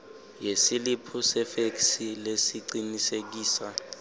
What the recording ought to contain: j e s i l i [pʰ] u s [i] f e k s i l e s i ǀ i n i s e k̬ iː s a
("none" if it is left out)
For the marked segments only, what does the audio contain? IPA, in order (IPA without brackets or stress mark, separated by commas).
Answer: pʰ, ɛ